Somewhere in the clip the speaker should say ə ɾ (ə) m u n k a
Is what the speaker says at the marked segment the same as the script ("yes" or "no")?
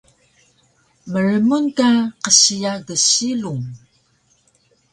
yes